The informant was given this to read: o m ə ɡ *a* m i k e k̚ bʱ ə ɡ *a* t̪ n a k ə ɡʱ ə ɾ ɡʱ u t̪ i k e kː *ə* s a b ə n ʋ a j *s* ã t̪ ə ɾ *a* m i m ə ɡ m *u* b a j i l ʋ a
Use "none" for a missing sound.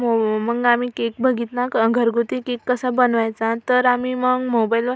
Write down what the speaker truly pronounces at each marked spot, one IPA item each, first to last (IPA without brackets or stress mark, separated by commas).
a, i, ə, t͡s, a, o